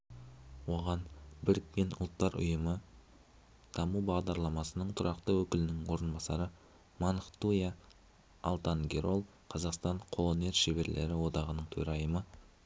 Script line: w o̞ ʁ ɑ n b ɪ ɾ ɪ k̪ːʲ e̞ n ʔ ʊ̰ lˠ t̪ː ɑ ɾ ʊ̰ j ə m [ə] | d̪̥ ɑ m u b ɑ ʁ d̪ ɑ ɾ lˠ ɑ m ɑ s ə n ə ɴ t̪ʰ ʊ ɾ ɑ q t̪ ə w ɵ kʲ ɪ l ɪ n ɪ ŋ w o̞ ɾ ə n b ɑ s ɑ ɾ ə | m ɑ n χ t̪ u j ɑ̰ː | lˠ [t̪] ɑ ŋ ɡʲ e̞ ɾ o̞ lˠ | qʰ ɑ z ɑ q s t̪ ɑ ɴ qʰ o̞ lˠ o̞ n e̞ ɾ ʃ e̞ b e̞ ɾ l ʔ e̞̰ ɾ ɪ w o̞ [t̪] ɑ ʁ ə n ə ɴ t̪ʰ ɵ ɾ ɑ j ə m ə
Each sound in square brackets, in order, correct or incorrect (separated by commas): correct, correct, incorrect